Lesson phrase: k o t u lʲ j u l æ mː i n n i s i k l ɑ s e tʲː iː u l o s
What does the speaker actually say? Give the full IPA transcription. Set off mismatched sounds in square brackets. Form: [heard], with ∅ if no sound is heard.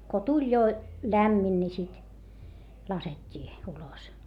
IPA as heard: k o t u lʲ j [o] l æ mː i n n i s i [t] l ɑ s e tʲː iː u l o s